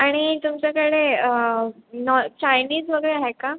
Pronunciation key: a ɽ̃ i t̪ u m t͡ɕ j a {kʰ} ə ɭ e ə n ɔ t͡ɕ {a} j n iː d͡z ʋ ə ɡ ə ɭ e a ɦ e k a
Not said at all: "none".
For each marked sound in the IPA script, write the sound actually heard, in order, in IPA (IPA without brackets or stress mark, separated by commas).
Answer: k, a